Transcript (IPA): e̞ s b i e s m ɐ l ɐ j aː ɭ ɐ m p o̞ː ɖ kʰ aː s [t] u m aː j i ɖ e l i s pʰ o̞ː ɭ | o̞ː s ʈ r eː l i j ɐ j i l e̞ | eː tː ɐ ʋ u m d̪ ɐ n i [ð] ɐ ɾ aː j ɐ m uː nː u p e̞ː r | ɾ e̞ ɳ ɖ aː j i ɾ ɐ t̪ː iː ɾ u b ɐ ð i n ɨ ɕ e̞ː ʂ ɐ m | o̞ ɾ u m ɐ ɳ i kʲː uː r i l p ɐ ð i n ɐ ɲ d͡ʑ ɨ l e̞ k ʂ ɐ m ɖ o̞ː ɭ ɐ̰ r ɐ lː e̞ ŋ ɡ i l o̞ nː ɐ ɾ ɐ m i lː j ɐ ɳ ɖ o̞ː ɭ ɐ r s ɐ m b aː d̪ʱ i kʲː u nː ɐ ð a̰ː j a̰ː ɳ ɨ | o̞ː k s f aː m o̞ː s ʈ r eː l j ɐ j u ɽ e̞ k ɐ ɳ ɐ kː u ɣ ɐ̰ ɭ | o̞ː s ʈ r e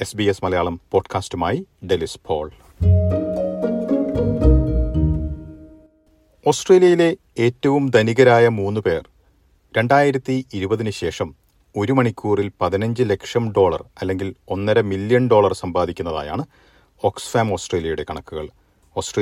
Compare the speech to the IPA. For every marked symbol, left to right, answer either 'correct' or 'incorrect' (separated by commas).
correct, incorrect